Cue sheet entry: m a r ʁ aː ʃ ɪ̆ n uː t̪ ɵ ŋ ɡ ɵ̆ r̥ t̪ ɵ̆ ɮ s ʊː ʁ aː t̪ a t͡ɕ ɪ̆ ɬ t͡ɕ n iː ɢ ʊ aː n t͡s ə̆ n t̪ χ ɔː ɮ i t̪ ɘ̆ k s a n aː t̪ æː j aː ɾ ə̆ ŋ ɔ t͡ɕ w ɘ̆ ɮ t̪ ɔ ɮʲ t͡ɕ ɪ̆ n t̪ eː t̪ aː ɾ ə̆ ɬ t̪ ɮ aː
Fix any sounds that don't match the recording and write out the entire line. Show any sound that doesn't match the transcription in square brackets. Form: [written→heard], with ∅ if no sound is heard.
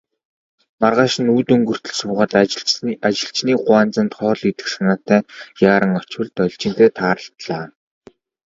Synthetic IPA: m a r ʁ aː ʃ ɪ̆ n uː t̪ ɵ ŋ ɡ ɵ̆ r̥ t̪ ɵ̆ ɮ s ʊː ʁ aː t̪ a t͡ɕ ɪ̆ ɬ t͡ɕ n iː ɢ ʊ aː n t͡s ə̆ n t̪ χ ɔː ɮ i t̪ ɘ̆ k s a n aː t̪ æː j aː ɾ ə̆ ŋ ɔ t͡ɕ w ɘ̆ ɮ t̪ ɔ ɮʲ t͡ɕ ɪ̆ n t̪ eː [t̪→t̪ʰ] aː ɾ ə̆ ɬ t̪ ɮ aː